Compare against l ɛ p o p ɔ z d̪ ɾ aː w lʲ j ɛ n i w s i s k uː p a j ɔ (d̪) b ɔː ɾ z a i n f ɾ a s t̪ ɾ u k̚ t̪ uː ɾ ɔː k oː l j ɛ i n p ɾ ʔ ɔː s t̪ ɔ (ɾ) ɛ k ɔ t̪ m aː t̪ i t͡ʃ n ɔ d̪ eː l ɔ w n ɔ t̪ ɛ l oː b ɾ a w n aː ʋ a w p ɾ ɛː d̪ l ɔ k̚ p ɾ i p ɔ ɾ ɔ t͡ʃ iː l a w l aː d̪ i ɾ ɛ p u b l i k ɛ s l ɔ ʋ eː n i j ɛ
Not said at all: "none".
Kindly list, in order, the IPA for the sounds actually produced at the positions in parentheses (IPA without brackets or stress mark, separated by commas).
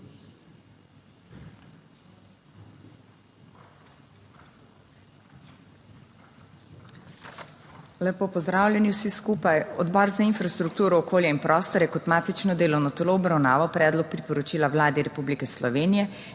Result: d̪, ɾ